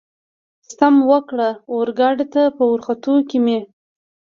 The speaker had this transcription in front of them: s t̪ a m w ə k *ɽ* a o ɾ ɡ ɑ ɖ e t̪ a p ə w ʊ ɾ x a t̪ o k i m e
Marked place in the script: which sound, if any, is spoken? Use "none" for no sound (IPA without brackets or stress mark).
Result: ɽ